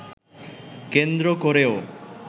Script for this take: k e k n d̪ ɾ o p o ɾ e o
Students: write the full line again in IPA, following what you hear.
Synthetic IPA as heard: k e n d̪ ɾ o k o ɾ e o